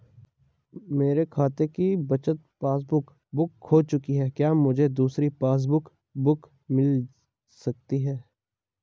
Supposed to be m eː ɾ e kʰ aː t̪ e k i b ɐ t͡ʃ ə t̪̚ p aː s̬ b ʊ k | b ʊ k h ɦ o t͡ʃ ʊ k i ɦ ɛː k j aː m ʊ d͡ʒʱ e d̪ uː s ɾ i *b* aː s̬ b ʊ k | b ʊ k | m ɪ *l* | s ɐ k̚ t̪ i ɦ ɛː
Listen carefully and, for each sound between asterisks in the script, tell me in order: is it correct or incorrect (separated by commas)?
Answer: incorrect, correct